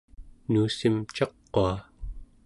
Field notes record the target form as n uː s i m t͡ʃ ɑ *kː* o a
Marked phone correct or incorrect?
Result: incorrect